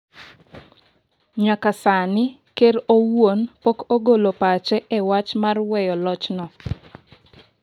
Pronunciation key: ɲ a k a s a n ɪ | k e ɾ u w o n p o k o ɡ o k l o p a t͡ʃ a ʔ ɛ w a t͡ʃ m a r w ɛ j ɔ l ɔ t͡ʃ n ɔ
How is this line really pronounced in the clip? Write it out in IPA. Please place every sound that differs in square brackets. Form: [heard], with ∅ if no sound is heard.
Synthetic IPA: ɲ a k a s a n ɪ | k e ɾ [o] w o n p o k o ɡ o [∅] l o p a t͡ʃ [ɛ] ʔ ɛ w a t͡ʃ m a r w ɛ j ɔ l ɔ t͡ʃ n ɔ